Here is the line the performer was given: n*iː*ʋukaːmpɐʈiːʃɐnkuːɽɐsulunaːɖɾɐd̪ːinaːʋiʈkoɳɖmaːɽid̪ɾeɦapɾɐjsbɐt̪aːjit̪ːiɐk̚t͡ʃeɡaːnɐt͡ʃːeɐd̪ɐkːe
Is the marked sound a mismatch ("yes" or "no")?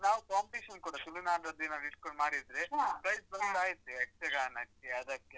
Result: yes